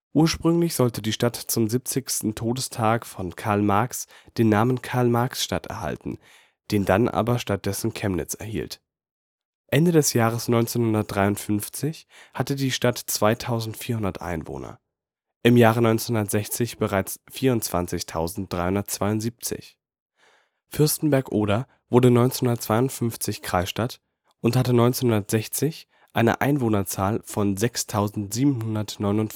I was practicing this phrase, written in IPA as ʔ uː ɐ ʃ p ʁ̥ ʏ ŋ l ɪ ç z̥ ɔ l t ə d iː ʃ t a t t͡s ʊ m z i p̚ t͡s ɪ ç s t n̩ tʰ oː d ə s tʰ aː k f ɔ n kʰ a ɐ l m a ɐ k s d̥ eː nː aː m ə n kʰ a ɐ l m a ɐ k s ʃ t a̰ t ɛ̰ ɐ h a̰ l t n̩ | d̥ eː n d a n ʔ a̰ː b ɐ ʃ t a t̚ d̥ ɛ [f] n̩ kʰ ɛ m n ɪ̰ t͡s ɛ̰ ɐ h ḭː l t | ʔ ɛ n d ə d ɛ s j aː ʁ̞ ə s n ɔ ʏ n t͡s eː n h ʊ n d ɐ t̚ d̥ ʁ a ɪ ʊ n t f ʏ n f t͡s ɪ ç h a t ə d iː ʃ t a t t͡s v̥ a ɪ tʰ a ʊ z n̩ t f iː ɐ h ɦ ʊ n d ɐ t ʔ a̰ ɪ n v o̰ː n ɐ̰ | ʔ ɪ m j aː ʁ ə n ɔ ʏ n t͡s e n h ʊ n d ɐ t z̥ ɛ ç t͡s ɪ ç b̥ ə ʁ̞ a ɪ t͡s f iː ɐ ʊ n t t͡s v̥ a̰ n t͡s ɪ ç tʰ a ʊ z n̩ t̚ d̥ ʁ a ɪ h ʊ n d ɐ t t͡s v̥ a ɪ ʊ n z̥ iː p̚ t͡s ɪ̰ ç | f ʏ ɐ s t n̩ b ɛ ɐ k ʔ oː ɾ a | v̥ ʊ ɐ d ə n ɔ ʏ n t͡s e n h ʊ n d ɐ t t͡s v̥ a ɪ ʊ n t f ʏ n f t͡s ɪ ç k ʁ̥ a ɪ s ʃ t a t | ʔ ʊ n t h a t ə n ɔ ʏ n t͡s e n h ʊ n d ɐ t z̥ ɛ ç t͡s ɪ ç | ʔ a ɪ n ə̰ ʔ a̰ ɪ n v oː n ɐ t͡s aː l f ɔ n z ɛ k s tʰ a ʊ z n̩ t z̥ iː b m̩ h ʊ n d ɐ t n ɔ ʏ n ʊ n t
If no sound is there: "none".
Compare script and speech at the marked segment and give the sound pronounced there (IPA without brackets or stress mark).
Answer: s